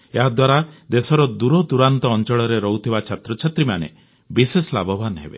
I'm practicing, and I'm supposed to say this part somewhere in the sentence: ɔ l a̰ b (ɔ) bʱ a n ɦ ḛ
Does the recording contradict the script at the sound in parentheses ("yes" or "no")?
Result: no